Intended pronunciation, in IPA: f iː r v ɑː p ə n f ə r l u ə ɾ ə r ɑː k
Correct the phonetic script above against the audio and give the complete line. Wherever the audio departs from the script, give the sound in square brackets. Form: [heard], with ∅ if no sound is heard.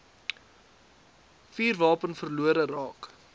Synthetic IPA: f iː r v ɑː p ə n f ə r l u ə ɾ ə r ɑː k

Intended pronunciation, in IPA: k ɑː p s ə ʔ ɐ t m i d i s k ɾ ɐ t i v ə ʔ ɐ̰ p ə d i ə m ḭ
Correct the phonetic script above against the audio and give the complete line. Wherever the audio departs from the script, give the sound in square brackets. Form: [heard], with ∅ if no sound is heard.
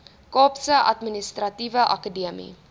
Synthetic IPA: k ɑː p s ə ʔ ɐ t m i [n] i s [t] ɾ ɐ t i v ə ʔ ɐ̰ [k] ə d i ə m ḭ

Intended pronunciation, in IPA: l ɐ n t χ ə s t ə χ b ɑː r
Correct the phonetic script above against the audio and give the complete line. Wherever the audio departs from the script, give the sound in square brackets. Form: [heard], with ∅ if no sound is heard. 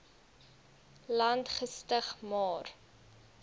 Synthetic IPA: l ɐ n t χ ə s t ə χ [m] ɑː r

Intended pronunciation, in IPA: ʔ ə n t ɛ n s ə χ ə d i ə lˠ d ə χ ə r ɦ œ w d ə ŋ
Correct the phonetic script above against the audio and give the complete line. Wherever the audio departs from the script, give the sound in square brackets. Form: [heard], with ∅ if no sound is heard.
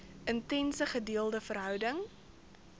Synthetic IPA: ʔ ə n t ɛ n s ə χ ə d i ə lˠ d ə [f] ə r ɦ œ w d ə ŋ

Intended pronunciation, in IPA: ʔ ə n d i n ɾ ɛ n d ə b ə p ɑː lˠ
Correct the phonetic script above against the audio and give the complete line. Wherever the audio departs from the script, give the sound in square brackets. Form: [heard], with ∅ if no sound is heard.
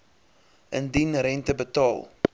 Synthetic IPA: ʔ ə n d i n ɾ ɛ n [t] ə b ə [t] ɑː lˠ

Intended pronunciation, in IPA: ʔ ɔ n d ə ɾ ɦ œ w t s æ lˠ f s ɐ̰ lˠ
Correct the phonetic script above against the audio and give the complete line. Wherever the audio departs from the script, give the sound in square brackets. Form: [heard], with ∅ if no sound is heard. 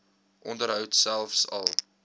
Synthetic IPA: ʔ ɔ n d ə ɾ ɦ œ w t s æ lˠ f s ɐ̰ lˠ

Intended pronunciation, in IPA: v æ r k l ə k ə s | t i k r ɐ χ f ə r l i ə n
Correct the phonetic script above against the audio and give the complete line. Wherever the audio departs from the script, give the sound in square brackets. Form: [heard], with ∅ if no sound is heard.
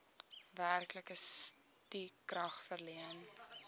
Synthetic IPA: v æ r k l ə k ə s | t i k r ɐ χ f ə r l i ə n

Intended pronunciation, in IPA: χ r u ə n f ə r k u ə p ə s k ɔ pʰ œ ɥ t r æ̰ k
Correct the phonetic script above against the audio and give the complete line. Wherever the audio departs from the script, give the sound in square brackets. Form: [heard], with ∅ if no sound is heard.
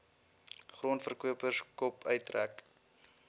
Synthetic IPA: χ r u ə n f ə r k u ə p ə s k ɔ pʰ œ ɥ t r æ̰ k

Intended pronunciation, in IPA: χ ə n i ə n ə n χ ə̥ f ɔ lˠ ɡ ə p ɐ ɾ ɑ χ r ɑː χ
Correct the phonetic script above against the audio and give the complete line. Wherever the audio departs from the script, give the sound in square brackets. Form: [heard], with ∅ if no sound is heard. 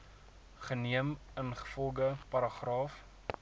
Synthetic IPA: χ ə n i ə [m] ə n χ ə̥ f ɔ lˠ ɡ ə p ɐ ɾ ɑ χ r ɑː [f]

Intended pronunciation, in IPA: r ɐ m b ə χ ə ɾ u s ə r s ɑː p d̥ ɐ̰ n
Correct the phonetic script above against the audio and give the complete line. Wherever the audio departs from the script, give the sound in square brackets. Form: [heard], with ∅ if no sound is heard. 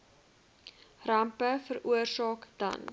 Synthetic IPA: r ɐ m [p] ə [f] ə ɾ u [∅] ə r s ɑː [k] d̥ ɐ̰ n

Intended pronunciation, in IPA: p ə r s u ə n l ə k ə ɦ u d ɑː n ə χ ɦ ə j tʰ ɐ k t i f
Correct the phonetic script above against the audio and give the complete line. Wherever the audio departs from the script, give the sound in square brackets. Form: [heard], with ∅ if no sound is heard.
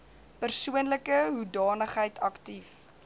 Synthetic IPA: p ə r s u ə n l ə k ə ɦ u d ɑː n ə χ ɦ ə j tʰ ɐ k t i f

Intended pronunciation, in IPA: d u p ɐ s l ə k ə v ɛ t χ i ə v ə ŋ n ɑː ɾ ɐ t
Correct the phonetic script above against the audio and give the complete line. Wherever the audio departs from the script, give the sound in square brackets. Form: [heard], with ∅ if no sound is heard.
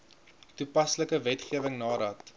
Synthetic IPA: [t] u p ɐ s l ə k ə v ɛ t χ i ə v ə ŋ n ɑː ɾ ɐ t

